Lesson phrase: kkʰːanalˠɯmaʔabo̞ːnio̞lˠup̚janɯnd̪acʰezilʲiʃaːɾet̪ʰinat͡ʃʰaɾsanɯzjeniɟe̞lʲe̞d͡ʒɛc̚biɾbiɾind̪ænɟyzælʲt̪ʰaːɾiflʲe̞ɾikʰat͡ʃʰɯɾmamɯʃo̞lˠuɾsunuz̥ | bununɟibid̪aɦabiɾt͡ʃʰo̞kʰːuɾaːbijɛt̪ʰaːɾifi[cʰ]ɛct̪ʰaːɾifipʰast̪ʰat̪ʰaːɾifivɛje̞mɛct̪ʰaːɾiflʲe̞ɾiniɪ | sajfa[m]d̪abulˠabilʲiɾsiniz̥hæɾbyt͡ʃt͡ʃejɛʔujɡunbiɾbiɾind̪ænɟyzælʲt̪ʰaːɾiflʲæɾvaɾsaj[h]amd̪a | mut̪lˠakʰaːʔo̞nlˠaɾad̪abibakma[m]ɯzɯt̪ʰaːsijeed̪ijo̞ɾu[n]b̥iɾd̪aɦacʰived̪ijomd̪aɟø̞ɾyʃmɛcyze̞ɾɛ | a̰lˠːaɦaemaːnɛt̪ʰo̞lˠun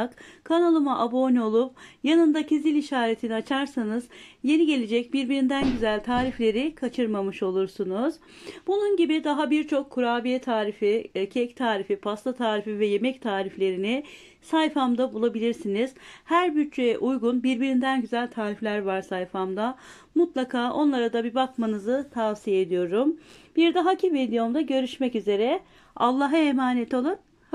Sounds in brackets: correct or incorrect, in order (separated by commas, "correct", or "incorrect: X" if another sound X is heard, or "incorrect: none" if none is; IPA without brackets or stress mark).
correct, correct, incorrect: f, incorrect: n, incorrect: m